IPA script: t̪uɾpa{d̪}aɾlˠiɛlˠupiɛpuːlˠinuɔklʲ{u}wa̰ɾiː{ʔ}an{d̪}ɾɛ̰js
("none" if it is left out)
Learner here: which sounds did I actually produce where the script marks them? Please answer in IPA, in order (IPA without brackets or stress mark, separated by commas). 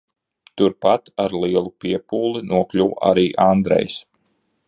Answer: t̪, u, ʔ, d̪